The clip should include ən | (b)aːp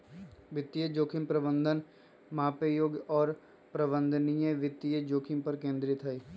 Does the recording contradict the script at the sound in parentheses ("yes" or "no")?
yes